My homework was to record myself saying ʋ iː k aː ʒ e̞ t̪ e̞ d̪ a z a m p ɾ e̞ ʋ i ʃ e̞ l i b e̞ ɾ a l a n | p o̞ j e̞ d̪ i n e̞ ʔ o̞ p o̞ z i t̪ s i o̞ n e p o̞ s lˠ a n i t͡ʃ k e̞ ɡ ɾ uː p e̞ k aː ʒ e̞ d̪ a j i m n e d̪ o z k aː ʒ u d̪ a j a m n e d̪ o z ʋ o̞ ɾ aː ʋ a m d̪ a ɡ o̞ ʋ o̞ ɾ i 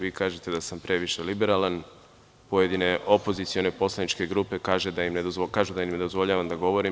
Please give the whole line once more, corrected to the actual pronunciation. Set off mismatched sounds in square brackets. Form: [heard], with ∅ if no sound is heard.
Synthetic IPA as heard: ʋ iː k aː ʒ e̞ t̪ e̞ d̪ a [s] a m p ɾ e̞ ʋ i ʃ e̞ l i b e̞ ɾ a l a n | p o̞ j e̞ d̪ i n e̞ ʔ o̞ p o̞ z i t̪ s i o̞ n e p o̞ s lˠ a n i t͡ʃ k e̞ ɡ ɾ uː p e̞ k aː ʒ e̞ d̪ a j i m n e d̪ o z k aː ʒ u d̪ a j [i] m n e d̪ o z ʋ o̞ [ʎ] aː ʋ a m d̪ a ɡ o̞ ʋ o̞ ɾ i